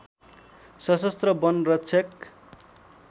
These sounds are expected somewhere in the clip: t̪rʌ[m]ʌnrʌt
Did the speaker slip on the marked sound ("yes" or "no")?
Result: yes